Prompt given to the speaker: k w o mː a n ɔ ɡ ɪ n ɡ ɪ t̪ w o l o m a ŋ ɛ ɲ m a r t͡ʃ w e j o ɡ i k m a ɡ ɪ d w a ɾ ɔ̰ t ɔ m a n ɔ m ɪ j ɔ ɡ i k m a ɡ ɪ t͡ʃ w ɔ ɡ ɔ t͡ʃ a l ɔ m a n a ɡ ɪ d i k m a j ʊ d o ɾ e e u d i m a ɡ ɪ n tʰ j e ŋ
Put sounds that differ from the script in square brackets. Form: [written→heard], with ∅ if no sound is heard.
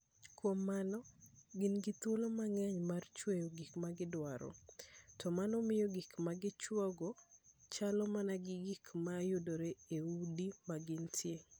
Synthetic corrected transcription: k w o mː a n ɔ ɡ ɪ n ɡ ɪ t̪ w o l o m a ŋ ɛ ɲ m a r t͡ʃ w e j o ɡ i k m a ɡ ɪ d w a ɾ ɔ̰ t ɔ m a n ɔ m ɪ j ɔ ɡ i k m a ɡ ɪ t͡ʃ w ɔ ɡ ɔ t͡ʃ a l ɔ m a n a ɡ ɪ [d→ɡ] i k m a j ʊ d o ɾ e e u d i m a ɡ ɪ n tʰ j e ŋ